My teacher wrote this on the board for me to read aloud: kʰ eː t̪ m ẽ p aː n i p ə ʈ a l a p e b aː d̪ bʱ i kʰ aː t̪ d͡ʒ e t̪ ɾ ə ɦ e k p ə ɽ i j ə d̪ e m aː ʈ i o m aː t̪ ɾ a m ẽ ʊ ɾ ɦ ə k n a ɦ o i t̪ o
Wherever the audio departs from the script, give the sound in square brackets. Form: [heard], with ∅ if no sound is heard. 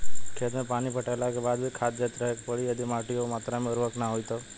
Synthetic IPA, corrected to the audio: kʰ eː t̪ m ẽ p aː n i p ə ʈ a l a [k] e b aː d̪ bʱ i kʰ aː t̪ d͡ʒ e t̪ ɾ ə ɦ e k p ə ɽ i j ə d̪ [i] m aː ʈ i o m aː t̪ ɾ a m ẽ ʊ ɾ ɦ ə k n a ɦ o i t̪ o